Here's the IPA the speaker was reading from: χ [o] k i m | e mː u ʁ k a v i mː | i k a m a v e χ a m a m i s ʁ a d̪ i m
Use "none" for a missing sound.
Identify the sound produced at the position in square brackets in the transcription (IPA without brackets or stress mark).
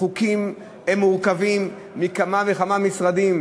u